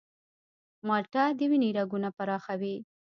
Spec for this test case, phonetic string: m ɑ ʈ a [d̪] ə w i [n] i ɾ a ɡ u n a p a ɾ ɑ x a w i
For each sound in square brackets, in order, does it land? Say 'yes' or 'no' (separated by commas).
yes, yes